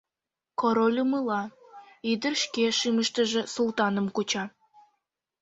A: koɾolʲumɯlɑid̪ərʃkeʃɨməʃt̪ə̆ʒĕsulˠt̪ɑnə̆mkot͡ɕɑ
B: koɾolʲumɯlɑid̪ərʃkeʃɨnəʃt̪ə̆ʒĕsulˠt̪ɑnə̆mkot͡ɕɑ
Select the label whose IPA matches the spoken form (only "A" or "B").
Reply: A